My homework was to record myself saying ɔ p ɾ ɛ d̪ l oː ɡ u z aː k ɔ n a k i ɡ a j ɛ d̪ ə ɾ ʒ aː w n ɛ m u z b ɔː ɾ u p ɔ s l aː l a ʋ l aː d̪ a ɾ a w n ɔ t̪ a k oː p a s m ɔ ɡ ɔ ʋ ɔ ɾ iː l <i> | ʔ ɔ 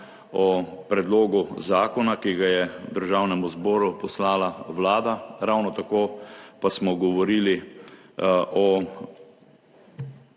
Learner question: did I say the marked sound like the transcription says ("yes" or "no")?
yes